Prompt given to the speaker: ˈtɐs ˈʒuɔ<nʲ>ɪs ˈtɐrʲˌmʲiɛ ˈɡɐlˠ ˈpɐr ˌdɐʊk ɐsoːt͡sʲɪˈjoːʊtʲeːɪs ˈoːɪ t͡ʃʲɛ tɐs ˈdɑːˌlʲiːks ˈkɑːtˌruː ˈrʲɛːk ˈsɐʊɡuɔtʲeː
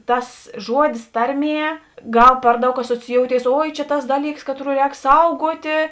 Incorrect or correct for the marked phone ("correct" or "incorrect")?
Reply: incorrect